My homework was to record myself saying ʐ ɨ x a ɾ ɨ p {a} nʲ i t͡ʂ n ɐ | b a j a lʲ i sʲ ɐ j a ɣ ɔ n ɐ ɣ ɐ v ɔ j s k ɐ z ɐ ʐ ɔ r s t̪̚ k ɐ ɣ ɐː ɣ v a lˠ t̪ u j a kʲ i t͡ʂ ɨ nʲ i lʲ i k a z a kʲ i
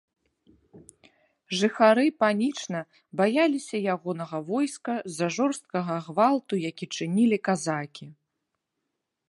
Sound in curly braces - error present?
no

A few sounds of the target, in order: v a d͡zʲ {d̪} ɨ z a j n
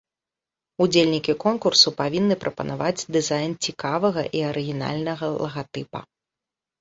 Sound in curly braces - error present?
no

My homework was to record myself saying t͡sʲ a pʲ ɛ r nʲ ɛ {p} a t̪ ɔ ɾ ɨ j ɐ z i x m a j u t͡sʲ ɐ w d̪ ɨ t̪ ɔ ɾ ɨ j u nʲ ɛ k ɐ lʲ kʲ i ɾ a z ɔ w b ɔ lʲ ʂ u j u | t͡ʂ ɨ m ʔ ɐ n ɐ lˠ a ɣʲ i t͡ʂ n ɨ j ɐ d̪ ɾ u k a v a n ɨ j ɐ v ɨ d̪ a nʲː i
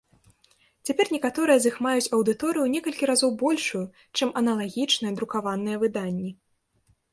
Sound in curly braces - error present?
yes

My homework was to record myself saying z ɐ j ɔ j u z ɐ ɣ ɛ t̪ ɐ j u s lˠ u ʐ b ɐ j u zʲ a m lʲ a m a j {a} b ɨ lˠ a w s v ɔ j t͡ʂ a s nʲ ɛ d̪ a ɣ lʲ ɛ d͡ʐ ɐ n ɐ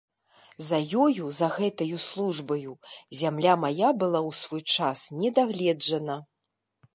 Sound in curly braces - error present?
no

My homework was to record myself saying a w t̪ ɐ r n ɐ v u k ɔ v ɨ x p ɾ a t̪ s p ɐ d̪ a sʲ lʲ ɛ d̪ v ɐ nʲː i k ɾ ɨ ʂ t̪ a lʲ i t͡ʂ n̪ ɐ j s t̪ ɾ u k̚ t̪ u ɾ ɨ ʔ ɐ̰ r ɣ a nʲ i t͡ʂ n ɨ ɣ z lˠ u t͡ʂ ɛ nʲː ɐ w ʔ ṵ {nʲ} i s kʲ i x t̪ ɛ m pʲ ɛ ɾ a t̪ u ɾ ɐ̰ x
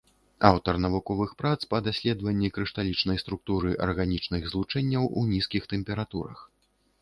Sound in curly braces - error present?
no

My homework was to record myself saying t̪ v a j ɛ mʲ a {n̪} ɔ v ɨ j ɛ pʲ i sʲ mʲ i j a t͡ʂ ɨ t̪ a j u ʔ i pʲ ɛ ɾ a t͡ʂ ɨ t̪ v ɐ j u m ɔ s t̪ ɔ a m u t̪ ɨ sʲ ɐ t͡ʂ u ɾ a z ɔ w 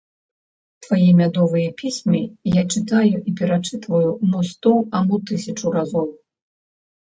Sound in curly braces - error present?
yes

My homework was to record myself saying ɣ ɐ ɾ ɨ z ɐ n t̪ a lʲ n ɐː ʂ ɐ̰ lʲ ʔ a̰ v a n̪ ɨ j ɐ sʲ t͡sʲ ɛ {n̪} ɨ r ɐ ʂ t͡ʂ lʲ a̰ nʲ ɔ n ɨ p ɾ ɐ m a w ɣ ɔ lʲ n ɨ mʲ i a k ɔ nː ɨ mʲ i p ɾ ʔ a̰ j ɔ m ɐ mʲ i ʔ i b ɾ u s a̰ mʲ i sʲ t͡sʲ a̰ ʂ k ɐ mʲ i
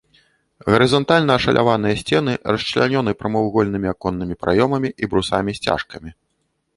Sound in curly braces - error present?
no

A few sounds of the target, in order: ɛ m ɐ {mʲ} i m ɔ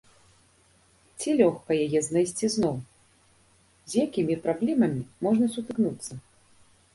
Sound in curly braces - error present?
no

